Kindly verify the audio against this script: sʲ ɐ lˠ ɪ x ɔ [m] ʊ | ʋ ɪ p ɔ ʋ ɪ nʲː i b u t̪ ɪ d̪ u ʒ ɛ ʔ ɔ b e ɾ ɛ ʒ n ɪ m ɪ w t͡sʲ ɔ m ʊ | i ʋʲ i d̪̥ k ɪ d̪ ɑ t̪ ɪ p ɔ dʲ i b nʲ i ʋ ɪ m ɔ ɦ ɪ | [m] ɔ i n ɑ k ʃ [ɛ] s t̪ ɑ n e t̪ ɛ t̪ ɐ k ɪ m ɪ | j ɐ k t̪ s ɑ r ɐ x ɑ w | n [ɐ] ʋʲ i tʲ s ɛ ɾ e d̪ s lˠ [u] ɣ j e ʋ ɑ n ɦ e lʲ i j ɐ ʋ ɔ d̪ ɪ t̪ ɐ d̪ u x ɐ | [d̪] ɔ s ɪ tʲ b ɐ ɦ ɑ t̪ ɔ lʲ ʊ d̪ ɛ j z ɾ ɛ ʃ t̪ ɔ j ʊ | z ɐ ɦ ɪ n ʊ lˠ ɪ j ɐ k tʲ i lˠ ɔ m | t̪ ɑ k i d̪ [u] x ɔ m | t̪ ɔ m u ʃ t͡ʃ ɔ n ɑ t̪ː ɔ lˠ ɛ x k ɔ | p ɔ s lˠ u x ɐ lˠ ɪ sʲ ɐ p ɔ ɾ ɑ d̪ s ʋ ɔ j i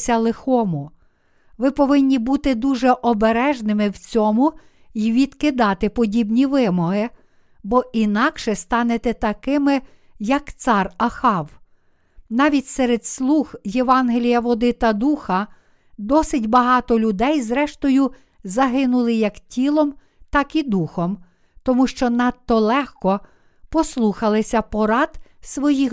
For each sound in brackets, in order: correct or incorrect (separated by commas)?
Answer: correct, incorrect, correct, incorrect, correct, correct, correct